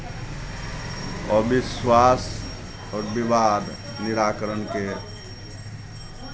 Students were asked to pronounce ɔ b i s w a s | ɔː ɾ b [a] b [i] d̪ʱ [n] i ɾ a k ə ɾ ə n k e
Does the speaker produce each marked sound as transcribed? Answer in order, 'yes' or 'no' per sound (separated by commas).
no, no, yes